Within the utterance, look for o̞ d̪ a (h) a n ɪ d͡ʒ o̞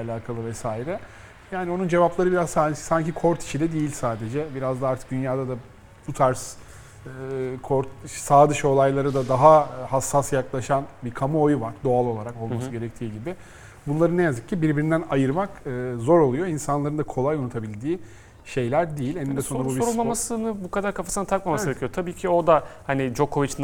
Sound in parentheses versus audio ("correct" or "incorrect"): correct